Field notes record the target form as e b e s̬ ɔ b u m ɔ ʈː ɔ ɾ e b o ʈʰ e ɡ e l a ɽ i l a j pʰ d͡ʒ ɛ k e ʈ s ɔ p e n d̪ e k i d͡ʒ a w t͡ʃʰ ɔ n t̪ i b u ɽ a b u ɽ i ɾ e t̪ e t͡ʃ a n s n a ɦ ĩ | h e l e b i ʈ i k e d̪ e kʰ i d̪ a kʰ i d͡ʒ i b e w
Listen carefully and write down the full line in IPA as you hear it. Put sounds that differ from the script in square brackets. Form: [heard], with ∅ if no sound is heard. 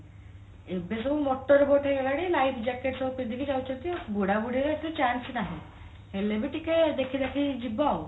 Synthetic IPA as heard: e b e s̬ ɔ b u m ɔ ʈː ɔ ɾ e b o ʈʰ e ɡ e l a ɽ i l a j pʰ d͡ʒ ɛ k e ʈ s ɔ p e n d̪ [i] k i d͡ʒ a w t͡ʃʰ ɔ n t̪ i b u ɽ a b u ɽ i ɾ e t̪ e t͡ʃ a n s n a ɦ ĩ | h e l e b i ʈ i k e d̪ e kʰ i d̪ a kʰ i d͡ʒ i b [a] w

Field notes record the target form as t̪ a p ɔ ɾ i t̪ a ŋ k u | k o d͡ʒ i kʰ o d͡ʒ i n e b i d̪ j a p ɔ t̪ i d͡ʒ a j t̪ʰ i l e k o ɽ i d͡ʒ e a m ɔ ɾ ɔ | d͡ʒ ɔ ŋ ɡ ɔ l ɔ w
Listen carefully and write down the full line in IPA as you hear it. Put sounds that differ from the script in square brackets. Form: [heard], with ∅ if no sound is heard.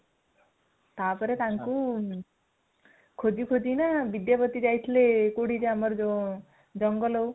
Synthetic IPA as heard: t̪ a p ɔ ɾ [e] t̪ a ŋ k u | [kʰ] o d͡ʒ i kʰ o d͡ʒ i n [a] b i d̪ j a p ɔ t̪ i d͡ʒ a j t̪ʰ i l e k o ɽ i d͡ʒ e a m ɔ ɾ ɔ | d͡ʒ ɔ ŋ ɡ ɔ l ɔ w

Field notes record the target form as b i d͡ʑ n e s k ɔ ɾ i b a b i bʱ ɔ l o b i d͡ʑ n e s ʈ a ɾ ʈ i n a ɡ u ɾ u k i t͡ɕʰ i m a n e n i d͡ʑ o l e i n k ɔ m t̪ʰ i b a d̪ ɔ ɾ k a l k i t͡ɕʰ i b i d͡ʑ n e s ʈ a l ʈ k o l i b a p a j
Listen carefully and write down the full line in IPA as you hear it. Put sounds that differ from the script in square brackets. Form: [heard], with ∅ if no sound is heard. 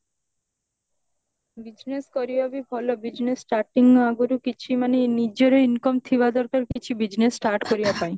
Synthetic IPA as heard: b i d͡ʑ n e s k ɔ ɾ i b a b i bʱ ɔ l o b i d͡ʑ n e s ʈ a ɾ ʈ i [ŋ] a ɡ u ɾ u k i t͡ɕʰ i m a n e n i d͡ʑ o [ɾ] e i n k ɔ m t̪ʰ i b a d̪ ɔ ɾ k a [ɾ] k i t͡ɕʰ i b i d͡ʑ n e s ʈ a [ɾ] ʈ k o [ɾ] i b a p a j

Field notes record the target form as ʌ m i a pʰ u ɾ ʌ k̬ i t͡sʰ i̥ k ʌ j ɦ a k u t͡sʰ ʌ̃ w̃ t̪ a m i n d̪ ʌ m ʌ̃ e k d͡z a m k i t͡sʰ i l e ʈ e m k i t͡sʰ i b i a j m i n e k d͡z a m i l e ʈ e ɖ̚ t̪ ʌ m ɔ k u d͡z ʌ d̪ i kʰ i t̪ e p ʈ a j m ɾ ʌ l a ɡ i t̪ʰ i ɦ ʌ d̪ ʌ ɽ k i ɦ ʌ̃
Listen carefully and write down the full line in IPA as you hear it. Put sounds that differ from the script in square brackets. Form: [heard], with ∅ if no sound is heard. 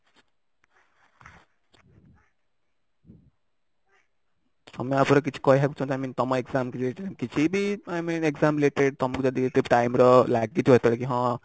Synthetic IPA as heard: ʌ m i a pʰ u ɾ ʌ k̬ i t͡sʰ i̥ k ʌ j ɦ a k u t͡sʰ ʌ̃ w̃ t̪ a m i n [t̪] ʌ m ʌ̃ e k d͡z a m k i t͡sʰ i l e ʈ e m k i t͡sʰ i b i a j m i n e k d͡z a m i l e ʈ e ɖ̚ t̪ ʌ m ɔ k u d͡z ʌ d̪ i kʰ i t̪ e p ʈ a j m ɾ ʌ l a ɡ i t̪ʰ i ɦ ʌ [t̪] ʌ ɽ k i ɦ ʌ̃

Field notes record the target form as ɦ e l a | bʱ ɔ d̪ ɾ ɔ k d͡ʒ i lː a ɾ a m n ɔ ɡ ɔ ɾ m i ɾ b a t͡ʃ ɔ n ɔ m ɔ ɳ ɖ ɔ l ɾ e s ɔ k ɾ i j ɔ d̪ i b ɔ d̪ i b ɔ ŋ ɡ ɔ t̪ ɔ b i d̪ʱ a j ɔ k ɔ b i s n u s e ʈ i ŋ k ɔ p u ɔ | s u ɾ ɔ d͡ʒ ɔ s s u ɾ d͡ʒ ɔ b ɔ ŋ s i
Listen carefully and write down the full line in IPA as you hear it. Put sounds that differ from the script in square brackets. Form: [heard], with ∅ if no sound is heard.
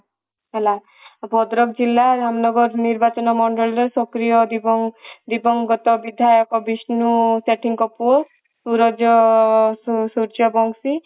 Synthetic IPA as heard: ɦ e l a | bʱ ɔ d̪ ɾ ɔ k d͡ʒ i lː a ɾ a m n ɔ ɡ ɔ ɾ [n] i ɾ b a t͡ʃ ɔ n ɔ m ɔ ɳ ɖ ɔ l ɾ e s ɔ k ɾ i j ɔ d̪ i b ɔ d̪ i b ɔ ŋ ɡ ɔ t̪ ɔ b i d̪ʱ a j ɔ k ɔ b i s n u s e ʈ i ŋ k ɔ p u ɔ | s u ɾ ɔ d͡ʒ ɔ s s u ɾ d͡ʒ ɔ b ɔ ŋ s i

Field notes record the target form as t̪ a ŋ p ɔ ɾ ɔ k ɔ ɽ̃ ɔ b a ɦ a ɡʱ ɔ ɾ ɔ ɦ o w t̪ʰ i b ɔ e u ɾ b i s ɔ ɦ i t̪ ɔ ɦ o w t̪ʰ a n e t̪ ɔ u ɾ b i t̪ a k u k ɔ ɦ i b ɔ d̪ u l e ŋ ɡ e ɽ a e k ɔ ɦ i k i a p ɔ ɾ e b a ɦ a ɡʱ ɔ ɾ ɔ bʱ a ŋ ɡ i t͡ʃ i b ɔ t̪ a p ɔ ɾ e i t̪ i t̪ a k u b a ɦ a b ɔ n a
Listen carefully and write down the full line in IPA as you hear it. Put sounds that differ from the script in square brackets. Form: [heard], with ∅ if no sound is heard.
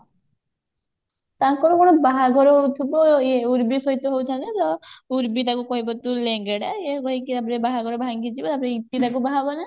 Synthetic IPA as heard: t̪ a ŋ [k] ɔ ɾ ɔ k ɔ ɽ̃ ɔ b a ɦ a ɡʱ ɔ ɾ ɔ ɦ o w t̪ʰ i b ɔ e u ɾ b i s ɔ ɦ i t̪ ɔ ɦ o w t̪ʰ a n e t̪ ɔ u ɾ b i t̪ a k u k ɔ ɦ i b ɔ [t̪] u l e ŋ ɡ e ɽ a e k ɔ ɦ i k i a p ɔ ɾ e b a ɦ a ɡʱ ɔ ɾ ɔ bʱ a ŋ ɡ i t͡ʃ i b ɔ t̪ a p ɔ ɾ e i t̪ i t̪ a k u b a ɦ a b ɔ n a

